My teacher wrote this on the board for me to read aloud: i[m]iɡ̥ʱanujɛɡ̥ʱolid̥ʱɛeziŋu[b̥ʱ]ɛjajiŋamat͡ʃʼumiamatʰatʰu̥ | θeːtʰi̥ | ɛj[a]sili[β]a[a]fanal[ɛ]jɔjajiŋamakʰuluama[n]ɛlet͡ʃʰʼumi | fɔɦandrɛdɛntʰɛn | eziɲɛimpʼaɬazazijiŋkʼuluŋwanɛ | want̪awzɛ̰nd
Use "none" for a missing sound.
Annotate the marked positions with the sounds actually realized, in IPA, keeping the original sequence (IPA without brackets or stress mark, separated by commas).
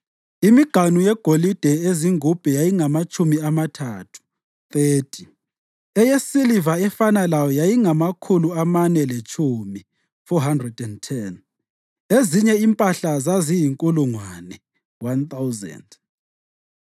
m, b̥ʱ, e, v, ɛ, a, n